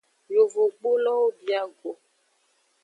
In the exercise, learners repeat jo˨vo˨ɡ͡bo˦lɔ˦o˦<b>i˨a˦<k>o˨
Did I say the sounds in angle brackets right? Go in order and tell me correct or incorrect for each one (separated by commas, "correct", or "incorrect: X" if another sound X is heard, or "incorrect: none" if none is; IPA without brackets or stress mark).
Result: correct, incorrect: ɡ